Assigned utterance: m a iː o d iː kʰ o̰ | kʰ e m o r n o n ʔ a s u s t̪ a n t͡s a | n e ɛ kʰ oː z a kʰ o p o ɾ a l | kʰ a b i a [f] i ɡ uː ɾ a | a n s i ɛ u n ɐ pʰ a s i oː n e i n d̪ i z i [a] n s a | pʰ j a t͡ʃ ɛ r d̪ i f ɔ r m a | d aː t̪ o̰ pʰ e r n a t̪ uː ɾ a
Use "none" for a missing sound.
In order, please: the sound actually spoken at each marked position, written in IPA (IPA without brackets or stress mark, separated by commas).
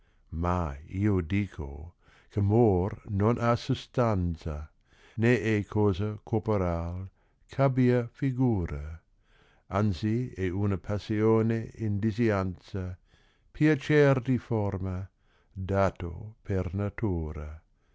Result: f, a